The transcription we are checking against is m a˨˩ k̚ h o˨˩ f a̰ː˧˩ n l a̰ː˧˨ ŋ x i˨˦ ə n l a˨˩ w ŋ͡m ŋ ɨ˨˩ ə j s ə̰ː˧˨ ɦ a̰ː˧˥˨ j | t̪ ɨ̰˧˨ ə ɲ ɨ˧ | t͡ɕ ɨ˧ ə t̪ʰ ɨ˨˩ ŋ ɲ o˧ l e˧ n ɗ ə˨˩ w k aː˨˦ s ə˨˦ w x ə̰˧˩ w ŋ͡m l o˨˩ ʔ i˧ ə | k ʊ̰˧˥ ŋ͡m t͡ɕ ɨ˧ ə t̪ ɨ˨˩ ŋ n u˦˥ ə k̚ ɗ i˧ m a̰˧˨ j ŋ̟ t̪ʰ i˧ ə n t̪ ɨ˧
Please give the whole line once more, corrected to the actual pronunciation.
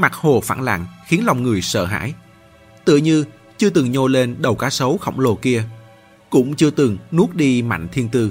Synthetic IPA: m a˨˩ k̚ h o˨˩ f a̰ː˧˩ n l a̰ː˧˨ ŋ x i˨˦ ə n l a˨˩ w ŋ͡m ŋ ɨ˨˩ ə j s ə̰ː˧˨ ɦ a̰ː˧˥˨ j | t̪ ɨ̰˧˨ ə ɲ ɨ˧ | t͡ɕ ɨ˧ ə t̪ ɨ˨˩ ŋ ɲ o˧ l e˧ n ɗ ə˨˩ w k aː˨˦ s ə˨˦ w x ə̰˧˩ w ŋ͡m l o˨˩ k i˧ ə | k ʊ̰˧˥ ŋ͡m t͡ɕ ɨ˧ ə t̪ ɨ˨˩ ŋ n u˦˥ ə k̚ ɗ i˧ m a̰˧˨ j ŋ̟ t̪ʰ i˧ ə n t̪ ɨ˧